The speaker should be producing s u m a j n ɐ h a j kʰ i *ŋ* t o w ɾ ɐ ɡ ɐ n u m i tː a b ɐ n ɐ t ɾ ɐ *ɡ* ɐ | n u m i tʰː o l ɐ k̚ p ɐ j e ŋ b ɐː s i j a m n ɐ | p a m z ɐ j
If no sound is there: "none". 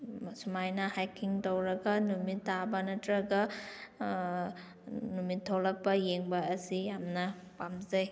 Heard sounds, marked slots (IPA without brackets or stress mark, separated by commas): ŋ, ɡ